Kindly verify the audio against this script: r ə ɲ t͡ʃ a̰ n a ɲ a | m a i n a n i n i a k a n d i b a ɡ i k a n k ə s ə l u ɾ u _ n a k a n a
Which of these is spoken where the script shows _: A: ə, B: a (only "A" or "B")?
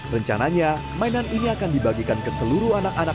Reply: B